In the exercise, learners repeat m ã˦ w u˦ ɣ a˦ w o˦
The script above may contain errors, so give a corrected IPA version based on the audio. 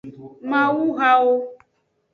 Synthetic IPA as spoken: m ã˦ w u˦ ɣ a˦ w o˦